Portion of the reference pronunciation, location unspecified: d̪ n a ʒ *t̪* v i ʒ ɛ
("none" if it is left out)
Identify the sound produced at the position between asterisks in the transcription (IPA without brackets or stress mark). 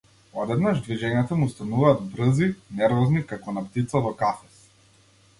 d̪